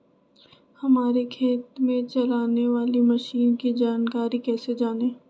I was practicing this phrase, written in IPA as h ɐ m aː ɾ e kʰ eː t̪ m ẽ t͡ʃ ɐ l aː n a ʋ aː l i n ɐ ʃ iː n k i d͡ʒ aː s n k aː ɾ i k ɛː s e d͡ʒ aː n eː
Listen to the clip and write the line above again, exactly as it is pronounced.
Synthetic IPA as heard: h ɐ m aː ɾ e kʰ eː t̪ m ẽ t͡ʃ ɐ l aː n e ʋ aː l i m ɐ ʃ iː n k i d͡ʒ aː n k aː ɾ i k ɛː s e d͡ʒ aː n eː